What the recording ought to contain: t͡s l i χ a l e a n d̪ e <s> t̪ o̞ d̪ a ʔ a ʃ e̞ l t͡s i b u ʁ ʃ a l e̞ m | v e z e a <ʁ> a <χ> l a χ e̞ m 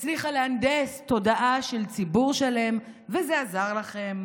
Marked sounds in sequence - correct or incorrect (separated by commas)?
correct, incorrect, incorrect